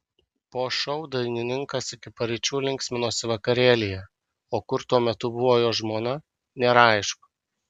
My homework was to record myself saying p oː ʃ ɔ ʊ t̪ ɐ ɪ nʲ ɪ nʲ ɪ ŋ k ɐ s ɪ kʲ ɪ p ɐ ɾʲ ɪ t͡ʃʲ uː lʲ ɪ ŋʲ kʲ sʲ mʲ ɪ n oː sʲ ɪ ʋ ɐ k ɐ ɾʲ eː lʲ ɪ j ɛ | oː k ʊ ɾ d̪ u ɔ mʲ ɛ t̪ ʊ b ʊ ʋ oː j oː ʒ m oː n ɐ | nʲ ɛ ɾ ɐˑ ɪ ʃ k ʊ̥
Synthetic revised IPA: p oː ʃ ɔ ʊ d̪ ɐ ɪ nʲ ɪ nʲ ɪ ŋ k ɐ s ɪ kʲ ɪ p ɐ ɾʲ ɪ t͡ʃʲ uː lʲ ɪ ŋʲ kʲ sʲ mʲ ɪ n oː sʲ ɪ ʋ ɐ k ɐ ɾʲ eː lʲ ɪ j ɛ | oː k ʊ ɾ t̪ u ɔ mʲ ɛ t̪ ʊ b ʊ ʋ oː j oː ʒ m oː n ɐ | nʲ ɛ ɾ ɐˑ ɪ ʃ k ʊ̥